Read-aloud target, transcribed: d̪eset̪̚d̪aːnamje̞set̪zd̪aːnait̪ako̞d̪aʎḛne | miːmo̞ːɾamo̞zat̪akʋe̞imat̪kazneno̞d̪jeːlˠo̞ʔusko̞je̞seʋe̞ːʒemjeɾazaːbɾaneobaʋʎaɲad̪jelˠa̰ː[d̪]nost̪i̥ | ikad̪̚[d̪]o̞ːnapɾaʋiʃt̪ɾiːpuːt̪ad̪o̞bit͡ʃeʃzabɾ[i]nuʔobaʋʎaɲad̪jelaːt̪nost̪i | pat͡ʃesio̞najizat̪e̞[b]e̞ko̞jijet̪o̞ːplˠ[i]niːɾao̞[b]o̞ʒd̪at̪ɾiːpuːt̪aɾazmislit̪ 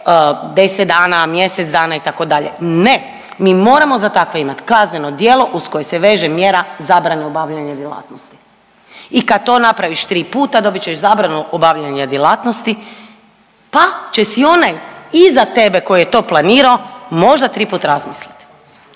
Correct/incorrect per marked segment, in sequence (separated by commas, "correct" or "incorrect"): incorrect, incorrect, incorrect, correct, incorrect, incorrect